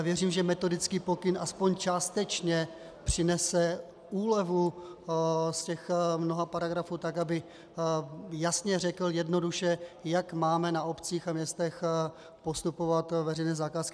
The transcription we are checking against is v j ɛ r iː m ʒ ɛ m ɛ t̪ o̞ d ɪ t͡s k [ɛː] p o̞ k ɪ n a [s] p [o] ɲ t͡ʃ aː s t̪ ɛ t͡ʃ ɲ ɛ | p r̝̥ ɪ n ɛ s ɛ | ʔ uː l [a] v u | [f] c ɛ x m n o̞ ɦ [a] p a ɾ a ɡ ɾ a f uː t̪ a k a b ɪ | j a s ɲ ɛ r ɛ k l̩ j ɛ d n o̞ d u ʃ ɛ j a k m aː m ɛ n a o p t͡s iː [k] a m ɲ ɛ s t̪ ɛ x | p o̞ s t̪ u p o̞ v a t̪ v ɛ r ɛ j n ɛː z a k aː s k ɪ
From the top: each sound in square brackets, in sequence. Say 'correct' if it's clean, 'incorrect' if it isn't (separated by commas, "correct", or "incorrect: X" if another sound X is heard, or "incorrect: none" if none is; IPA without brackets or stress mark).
incorrect: iː, correct, correct, incorrect: ɛ, incorrect: s, correct, incorrect: x